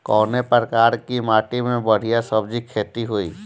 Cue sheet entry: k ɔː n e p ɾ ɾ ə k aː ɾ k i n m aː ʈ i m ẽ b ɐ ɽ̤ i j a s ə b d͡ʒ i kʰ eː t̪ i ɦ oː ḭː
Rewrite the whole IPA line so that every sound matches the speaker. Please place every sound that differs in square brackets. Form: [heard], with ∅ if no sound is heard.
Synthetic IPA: k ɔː n e p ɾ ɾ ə k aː ɾ k i [∅] m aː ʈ i m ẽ b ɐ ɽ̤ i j a s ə b d͡ʒ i kʰ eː t̪ i ɦ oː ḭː